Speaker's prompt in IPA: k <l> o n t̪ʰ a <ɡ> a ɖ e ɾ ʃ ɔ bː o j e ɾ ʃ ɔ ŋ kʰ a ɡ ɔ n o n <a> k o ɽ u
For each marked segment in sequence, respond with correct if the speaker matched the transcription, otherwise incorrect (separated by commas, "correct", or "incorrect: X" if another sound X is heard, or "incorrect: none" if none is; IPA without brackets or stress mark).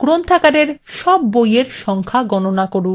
incorrect: ɾ, incorrect: k, correct